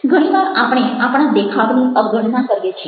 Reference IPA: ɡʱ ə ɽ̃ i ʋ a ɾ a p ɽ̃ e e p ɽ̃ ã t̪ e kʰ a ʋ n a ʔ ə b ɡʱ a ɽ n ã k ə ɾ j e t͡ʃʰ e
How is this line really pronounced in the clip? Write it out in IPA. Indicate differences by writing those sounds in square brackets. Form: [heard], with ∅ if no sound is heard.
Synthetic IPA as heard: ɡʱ ə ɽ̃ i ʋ a ɾ a p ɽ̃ e [a] p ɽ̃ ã [d̪] e kʰ a ʋ n [i] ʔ ə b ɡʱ [ə] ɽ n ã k ə ɾ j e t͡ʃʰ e